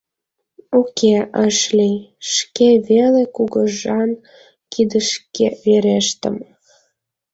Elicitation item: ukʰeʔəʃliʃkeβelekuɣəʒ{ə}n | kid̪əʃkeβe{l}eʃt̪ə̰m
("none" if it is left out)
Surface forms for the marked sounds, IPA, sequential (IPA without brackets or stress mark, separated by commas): ɑ, ɾ